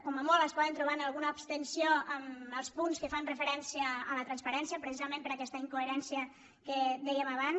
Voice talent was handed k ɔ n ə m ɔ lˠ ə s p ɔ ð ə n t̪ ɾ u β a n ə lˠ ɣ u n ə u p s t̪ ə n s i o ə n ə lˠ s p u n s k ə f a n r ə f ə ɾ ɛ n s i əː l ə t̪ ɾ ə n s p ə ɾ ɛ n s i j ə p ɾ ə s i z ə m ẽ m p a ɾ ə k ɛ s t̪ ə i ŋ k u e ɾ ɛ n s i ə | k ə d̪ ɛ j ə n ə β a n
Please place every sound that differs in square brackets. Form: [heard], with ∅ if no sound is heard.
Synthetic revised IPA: k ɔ [m] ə m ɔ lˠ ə s p ɔ ð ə n t̪ ɾ u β a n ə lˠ ɣ u n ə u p s t̪ ə n s i o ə [m] ə lˠ s p u n s k ə f a n r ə f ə ɾ ɛ n s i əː l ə t̪ ɾ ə n s p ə ɾ ɛ n s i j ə p ɾ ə s i z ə m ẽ m p [ə] ɾ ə k ɛ s t̪ ə i ŋ k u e ɾ ɛ n s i ə | k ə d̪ ɛ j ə [m] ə β a n